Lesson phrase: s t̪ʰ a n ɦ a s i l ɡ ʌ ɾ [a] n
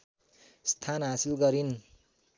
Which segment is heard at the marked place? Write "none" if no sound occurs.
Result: i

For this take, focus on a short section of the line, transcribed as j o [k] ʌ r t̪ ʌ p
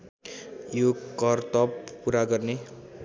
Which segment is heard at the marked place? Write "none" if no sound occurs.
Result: k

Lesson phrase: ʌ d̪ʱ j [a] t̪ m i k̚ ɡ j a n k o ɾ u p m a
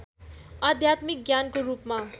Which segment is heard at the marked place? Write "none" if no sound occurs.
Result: a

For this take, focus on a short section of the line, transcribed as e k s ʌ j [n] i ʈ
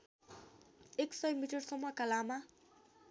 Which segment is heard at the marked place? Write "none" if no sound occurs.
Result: m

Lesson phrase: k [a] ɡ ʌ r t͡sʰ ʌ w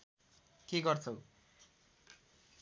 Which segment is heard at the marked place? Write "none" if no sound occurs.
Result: e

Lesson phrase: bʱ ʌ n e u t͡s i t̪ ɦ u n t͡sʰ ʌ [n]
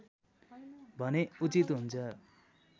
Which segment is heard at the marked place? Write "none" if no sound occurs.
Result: none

